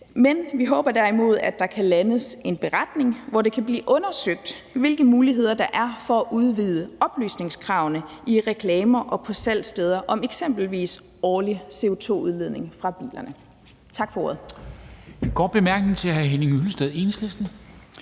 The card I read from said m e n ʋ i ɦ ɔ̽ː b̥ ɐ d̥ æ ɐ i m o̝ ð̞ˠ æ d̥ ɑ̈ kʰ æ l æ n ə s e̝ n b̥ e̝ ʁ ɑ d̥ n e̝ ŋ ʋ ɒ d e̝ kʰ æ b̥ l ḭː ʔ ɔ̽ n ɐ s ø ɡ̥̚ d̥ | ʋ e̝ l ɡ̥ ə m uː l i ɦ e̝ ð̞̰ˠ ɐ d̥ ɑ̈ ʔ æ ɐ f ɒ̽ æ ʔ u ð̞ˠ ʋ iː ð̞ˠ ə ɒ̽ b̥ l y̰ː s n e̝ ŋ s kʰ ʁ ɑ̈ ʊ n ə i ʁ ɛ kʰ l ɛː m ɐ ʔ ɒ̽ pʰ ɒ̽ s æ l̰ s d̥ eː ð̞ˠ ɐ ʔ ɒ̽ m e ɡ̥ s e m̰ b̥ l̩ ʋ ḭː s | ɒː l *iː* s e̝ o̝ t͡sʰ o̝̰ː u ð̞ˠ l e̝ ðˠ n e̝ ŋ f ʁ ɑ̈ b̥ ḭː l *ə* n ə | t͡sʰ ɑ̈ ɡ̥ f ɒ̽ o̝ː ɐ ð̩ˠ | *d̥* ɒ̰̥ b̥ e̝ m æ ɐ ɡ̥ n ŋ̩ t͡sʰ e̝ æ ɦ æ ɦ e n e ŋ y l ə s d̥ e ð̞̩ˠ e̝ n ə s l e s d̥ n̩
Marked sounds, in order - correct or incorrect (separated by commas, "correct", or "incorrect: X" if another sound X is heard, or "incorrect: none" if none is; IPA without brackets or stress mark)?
incorrect: i, incorrect: ɐ, incorrect: ɡ̥